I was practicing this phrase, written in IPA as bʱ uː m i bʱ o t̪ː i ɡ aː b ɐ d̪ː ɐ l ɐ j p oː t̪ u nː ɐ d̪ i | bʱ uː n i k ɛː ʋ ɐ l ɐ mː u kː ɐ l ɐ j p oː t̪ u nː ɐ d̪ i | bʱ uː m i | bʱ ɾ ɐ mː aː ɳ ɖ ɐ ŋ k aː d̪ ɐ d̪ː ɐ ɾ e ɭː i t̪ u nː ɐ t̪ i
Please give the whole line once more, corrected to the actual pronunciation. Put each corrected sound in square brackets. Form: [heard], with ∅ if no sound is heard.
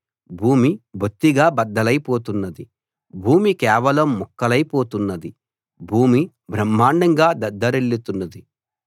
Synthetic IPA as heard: bʱ uː m i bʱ o t̪ː i ɡ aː b ɐ d̪ː ɐ l ɐ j p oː t̪ u nː ɐ d̪ i | bʱ uː [m] i k ɛː ʋ ɐ l ɐ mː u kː ɐ l ɐ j p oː t̪ u nː ɐ d̪ i | bʱ uː m i | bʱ ɾ ɐ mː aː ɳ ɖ ɐ ŋ [ɡ] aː d̪ ɐ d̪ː ɐ ɾ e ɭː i t̪ u nː ɐ [d̪] i

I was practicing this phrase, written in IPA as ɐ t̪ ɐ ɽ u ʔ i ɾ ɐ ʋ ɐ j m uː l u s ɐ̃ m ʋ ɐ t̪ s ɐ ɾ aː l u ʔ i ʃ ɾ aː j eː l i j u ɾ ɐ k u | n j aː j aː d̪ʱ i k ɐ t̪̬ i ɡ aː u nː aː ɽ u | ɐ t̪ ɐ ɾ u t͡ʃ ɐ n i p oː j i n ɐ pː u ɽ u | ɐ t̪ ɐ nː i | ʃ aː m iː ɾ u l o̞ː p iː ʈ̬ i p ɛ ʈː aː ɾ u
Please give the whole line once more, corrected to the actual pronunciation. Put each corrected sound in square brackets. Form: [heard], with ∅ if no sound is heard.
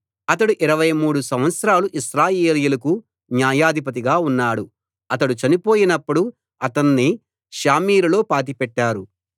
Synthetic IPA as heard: ɐ t̪ ɐ ɽ u ʔ i ɾ ɐ ʋ ɐ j m uː [ɽ] u s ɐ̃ m ʋ ɐ t̪ s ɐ ɾ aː l u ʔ i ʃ ɾ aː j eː l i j u [l] ɐ k u | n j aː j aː d̪ʱ i [p] ɐ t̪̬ i ɡ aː u nː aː ɽ u | ɐ t̪ ɐ [ɽ] u t͡ʃ ɐ n i p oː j i n ɐ pː u ɽ u | ɐ t̪ ɐ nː i | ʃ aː m iː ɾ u l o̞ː p [aː] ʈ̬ i p ɛ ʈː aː ɾ u

